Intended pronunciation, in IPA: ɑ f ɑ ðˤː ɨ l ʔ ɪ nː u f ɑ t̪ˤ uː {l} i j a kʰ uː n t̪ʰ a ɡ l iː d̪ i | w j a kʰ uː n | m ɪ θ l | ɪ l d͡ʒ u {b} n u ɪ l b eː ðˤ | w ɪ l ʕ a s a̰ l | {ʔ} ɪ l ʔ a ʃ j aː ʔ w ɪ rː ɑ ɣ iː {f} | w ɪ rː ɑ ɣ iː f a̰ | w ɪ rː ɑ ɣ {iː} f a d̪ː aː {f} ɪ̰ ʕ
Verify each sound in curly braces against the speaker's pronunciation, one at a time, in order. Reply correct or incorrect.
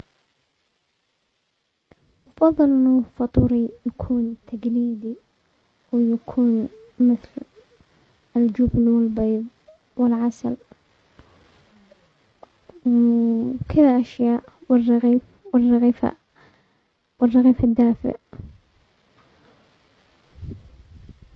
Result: incorrect: ɾ, correct, incorrect: k, correct, correct, correct

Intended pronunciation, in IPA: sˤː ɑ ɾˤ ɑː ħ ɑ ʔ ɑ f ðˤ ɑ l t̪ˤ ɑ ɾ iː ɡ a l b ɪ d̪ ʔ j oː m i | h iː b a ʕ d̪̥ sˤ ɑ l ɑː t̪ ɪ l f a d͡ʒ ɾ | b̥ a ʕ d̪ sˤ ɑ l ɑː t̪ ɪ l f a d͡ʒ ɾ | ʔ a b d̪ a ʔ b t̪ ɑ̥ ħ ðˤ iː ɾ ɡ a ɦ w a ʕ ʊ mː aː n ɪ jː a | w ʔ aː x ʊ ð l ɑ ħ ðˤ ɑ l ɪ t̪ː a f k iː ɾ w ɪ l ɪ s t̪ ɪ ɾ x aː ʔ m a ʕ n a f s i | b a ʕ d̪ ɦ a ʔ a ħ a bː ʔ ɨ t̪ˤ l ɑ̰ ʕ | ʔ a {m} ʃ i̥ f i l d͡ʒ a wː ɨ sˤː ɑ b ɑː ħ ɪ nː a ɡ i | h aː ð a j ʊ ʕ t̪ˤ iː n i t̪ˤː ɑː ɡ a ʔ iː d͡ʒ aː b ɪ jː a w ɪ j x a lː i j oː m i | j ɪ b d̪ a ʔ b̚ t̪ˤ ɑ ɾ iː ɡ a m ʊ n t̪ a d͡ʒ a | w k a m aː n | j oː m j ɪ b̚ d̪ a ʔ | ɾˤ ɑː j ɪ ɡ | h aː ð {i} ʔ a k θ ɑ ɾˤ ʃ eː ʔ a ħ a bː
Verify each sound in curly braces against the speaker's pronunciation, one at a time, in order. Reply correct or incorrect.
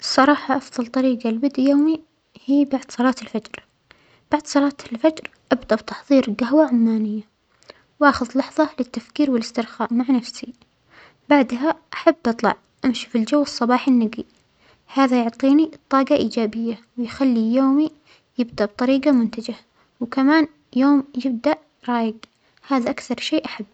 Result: correct, incorrect: a

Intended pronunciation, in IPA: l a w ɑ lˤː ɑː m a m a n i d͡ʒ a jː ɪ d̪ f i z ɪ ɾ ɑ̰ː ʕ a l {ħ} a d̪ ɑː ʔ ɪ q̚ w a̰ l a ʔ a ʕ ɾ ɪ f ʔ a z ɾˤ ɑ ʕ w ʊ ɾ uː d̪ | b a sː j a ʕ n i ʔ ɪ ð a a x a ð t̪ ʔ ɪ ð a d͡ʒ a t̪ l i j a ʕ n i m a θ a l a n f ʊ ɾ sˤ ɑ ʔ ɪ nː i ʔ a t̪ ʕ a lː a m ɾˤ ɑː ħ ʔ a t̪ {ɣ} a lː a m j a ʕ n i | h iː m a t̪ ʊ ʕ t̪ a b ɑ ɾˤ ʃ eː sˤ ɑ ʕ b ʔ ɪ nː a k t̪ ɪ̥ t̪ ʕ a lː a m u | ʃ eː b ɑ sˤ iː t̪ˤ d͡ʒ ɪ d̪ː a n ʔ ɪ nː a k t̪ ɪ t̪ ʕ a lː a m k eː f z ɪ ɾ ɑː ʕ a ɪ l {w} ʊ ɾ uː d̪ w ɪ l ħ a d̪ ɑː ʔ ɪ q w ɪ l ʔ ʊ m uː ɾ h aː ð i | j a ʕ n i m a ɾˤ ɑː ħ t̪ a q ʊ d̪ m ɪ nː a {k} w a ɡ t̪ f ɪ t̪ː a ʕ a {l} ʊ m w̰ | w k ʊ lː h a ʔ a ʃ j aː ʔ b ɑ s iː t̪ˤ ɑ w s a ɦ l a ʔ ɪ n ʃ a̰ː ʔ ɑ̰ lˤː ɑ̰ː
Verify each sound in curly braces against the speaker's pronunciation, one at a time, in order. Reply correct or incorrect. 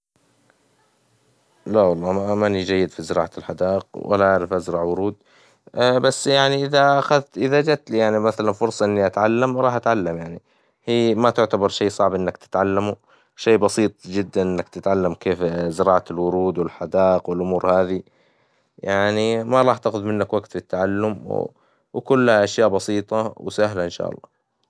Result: correct, incorrect: ʕ, correct, correct, incorrect: lː

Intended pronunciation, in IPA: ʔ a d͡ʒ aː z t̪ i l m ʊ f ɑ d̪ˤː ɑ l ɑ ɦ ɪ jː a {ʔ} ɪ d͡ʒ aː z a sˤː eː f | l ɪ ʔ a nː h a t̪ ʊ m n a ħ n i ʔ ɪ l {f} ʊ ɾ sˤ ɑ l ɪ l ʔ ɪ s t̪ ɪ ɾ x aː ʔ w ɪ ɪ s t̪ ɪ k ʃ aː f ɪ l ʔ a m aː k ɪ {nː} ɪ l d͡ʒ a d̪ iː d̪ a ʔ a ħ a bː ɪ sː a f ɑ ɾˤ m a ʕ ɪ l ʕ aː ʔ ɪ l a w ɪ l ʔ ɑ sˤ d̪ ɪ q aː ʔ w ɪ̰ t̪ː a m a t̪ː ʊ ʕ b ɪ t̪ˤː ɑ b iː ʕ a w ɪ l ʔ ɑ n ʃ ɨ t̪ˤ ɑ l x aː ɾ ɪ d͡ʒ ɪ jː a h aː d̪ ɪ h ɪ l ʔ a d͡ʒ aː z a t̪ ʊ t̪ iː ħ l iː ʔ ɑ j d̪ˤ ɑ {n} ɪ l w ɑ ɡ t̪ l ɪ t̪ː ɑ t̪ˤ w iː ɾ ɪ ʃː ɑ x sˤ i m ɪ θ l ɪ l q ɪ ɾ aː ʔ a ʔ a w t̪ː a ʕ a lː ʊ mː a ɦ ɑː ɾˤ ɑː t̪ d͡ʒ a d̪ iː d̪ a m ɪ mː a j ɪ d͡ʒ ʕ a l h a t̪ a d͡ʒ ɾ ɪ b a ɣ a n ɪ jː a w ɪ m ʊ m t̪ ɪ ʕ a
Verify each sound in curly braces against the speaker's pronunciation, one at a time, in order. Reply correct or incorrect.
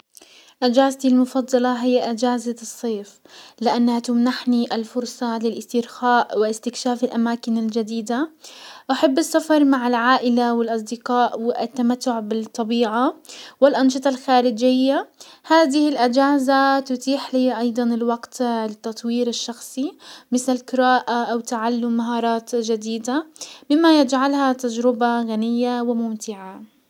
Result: correct, correct, incorrect: n, correct

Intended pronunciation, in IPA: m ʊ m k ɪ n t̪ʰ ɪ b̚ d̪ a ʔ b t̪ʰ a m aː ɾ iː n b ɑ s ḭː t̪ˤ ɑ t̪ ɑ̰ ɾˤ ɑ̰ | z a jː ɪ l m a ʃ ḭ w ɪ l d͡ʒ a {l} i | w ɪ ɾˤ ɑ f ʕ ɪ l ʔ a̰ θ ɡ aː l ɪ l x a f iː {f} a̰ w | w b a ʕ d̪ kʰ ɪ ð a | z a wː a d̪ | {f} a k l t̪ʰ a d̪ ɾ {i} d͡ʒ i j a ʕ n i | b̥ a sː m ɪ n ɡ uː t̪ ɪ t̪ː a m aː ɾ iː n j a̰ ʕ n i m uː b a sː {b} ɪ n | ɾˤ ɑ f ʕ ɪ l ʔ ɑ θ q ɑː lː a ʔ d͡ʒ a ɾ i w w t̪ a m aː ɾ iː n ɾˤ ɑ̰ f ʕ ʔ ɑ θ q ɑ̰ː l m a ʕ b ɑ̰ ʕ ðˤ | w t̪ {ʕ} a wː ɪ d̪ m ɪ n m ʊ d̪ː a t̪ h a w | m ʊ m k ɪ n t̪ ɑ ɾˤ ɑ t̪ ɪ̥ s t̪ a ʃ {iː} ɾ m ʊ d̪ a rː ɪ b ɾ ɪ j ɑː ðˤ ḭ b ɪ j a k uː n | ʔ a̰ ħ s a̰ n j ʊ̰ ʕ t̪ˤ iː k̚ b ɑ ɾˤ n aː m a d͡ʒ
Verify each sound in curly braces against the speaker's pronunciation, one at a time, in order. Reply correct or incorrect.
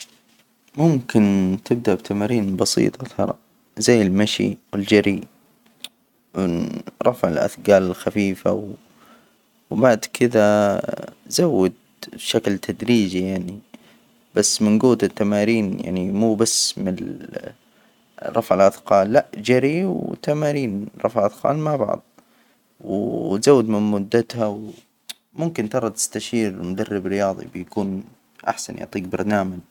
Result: incorrect: ɾ, correct, incorrect: ʃ, incorrect: iː, incorrect: m, incorrect: z, correct

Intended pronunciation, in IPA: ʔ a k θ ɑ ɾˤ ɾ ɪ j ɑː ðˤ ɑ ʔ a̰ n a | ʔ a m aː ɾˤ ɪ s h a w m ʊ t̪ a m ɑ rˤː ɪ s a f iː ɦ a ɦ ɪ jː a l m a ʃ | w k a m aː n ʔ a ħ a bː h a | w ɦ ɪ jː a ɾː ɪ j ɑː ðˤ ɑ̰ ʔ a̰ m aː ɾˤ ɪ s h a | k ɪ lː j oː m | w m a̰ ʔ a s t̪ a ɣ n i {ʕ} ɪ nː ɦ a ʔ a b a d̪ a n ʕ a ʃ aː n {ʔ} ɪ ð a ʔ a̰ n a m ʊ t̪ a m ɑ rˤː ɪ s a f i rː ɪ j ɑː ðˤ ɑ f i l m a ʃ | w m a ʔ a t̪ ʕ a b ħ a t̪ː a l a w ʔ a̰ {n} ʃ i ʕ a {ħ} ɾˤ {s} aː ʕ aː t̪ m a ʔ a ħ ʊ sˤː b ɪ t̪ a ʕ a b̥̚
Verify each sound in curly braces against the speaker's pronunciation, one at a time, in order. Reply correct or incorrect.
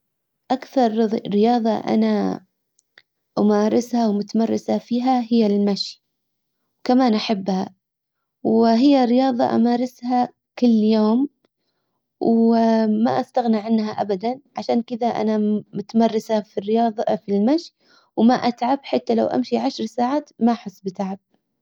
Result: correct, incorrect: k, incorrect: m, incorrect: ʃ, correct

